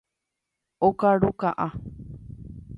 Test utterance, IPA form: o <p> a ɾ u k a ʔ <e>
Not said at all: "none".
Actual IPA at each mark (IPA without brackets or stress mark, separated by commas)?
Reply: k, a